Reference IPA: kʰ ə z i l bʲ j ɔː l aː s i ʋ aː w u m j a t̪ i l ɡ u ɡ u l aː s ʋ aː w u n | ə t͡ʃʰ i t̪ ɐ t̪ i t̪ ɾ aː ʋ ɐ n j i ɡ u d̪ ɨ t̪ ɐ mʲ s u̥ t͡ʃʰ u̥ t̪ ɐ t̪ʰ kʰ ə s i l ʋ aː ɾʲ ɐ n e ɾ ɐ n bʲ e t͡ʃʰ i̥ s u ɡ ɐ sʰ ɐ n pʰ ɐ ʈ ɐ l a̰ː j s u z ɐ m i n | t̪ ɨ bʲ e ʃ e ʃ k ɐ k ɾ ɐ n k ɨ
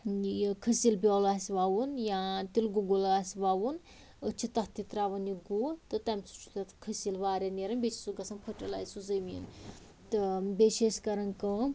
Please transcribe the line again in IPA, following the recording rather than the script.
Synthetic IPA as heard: kʰ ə s i l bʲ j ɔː l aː s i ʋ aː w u n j a t̪ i l ɡ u ɡ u l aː s ʋ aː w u n | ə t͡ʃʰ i t̪ ɐ t̪ i t̪ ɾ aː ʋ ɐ n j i ɡ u t̪ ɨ t̪ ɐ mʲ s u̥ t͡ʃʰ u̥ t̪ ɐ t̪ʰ kʰ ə s i l ʋ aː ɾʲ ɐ n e ɾ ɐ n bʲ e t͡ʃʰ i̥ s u ɡ ɐ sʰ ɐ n pʰ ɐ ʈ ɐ l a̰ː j s u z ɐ m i n | t̪ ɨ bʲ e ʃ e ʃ k ɐ ɾ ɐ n k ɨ